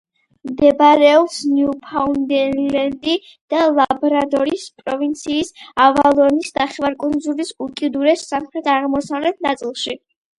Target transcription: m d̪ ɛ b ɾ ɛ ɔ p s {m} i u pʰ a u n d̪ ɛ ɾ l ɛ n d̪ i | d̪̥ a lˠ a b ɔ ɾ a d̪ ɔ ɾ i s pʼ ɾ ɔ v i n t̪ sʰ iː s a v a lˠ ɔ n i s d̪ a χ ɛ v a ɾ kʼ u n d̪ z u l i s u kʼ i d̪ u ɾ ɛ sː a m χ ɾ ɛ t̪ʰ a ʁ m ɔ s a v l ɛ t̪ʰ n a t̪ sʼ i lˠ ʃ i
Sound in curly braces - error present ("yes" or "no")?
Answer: yes